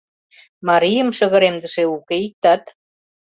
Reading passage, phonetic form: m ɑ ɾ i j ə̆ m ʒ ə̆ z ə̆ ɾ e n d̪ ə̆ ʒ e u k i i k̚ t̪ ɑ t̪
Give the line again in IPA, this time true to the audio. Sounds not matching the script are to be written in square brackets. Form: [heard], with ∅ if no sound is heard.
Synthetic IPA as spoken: m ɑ ɾ i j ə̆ m [ʃ] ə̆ [ɣ] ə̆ ɾ e [m] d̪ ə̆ [ʃ] e u k [e] i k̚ t̪ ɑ t̪